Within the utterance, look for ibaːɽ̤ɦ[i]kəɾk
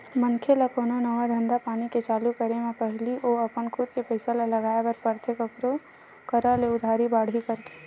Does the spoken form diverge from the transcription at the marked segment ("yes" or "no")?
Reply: no